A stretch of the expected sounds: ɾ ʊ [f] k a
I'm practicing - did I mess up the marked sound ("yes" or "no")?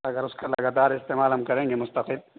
yes